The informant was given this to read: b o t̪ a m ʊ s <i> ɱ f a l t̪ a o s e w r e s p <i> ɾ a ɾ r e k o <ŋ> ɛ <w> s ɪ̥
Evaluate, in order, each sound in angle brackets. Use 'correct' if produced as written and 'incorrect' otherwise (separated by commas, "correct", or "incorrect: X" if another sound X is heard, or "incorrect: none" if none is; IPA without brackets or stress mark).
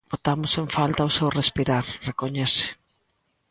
incorrect: e, correct, incorrect: ɲ, incorrect: none